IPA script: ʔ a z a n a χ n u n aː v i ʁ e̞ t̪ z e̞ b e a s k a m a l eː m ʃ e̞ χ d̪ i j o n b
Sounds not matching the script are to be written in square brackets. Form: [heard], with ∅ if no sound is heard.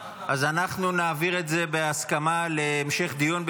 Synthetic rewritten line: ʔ a z a n a χ n u n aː v i ʁ e̞ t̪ z e̞ b e a s k a m a l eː m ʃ e̞ χ d̪ i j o n b